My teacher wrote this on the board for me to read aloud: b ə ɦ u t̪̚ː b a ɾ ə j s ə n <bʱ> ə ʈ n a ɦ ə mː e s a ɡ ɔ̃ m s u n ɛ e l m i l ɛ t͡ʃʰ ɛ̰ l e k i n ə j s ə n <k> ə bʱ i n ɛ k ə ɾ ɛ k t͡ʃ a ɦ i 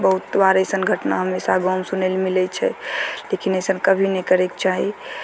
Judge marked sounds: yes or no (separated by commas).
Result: no, yes